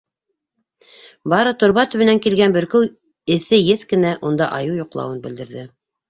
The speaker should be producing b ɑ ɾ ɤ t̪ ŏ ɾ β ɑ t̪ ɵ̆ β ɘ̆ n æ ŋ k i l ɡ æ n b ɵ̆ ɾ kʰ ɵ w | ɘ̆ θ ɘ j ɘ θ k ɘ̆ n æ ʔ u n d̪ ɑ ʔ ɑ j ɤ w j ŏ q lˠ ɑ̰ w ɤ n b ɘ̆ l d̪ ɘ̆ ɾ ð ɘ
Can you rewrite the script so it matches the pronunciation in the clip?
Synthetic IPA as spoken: b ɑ ɾ ɤ t̪ ŏ ɾ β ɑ t̪ ɵ̆ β ɘ̆ n æ ŋ k i l ɡ æ n b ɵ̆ ɾ k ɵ w | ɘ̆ θ ɘ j ɘ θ k ɘ̆ n æ ʔ u n d̪ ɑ ʔ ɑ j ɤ w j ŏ q lˠ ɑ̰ w ɤ n b ɘ̆ l d̪ ɘ̆ ɾ ð ɘ